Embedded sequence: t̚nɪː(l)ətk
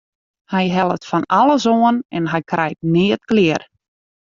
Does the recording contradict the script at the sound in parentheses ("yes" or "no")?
yes